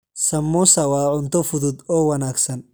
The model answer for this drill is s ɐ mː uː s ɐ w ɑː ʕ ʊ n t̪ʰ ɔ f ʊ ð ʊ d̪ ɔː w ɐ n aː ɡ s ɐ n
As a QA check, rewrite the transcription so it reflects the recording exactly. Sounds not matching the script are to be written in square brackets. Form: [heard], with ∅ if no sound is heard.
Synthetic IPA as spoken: s ɐ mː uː s ɐ w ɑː ʕ ʊ n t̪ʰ ɔ f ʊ ð ʊ d̪ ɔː w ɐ n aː ɡ s ɐ n